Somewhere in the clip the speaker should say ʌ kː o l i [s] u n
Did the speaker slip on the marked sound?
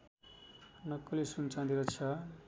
no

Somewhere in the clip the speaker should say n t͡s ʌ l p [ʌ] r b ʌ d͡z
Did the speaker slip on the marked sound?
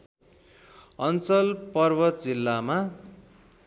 no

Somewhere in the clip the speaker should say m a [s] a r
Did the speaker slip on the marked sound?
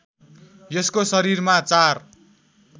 yes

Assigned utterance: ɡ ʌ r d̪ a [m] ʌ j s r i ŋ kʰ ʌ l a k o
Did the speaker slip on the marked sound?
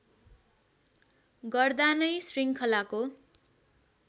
yes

